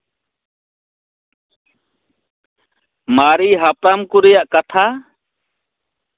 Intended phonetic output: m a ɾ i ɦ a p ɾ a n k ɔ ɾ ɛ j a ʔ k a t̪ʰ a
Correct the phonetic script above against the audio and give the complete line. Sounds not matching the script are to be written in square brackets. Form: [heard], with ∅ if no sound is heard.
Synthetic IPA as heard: m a ɾ i ɦ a p ɾ a [m] k [u] ɾ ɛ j a ʔ k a t̪ʰ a